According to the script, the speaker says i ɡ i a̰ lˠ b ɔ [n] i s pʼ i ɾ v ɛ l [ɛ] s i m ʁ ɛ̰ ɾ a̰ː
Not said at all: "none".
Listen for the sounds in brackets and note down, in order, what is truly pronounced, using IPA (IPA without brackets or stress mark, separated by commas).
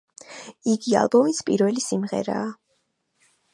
m, i